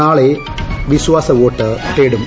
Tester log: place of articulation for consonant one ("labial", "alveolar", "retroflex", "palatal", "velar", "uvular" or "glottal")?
retroflex